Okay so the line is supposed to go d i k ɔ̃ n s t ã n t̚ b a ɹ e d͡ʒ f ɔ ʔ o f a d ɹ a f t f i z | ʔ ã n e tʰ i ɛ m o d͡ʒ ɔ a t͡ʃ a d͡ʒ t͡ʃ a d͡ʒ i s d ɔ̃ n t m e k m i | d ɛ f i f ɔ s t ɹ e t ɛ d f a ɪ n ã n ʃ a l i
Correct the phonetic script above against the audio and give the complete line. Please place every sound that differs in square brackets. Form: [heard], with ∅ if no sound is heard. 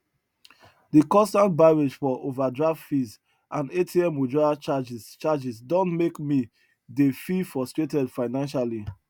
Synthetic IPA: d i k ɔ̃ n s t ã n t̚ b a ɹ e d͡ʒ f ɔ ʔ o [v] a d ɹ a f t f i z | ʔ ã n e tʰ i ɛ m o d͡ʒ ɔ a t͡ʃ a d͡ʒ t͡ʃ a d͡ʒ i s d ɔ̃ n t m e k m i | d [e] f i f ɔ s t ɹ e t ɛ d f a ɪ n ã n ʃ a l i